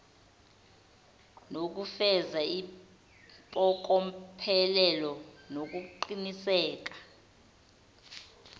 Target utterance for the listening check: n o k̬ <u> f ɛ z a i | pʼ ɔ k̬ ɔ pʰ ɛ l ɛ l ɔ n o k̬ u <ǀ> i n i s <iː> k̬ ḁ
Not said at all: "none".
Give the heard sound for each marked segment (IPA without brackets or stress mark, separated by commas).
u, ǃ, ɛː